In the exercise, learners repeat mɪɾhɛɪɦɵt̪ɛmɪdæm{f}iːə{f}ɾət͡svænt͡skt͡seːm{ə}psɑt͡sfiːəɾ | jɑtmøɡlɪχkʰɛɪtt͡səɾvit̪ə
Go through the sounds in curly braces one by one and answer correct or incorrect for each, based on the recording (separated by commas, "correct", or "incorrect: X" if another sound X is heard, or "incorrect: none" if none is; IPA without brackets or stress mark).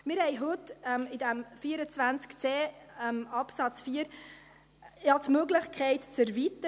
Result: correct, incorrect: none, incorrect: ɑ